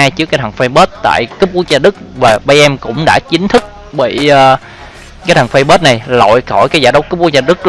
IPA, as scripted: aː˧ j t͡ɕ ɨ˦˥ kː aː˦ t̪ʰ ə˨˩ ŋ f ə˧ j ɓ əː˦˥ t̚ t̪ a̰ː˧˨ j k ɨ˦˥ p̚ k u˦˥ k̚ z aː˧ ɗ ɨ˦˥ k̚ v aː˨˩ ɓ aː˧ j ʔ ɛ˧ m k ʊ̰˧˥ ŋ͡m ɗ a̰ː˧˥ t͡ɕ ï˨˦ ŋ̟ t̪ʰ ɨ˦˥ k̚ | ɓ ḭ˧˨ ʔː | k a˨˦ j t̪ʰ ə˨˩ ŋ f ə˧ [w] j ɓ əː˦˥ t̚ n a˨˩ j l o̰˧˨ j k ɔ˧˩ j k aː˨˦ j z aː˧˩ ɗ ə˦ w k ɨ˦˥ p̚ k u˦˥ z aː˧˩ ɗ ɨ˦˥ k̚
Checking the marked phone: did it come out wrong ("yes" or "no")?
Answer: yes